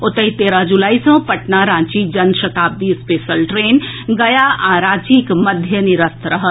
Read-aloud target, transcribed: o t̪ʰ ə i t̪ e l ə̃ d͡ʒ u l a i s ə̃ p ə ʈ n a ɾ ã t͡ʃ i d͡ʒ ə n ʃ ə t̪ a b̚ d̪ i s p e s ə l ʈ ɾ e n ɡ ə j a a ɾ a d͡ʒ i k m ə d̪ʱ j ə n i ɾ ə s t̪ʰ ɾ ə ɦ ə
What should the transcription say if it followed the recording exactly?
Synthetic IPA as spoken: o t̪ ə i t̪ e ɾ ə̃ d͡ʒ u l a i s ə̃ p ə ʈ n a ɾ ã t͡ʃ i d͡ʒ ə n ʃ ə t̪ a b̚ d̪ i s p e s ə l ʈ ɾ e n ɡ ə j a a ɾ a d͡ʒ i k m ə d̪ʱ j ə n i ɾ ə s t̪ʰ ɾ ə ɦ ə